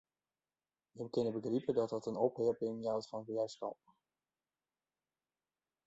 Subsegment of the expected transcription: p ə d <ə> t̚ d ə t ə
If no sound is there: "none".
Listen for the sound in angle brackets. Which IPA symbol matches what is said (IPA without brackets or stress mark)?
ɑ